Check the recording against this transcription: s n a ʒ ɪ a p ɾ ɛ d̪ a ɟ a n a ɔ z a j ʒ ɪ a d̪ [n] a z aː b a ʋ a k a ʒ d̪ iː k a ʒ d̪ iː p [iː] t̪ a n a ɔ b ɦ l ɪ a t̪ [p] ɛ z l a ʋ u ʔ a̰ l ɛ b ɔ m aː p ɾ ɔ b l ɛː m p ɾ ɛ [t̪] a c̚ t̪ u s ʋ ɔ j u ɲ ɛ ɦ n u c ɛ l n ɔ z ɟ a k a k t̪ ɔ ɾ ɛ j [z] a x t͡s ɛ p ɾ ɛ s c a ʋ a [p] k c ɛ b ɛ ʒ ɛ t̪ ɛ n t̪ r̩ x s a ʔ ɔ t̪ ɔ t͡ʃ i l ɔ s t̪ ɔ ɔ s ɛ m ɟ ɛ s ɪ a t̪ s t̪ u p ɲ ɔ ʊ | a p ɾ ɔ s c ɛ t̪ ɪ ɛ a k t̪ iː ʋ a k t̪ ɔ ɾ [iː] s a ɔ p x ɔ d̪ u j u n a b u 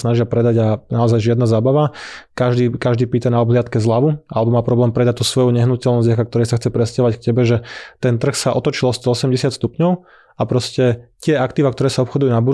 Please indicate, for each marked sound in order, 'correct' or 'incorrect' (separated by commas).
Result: correct, correct, incorrect, incorrect, incorrect, incorrect, incorrect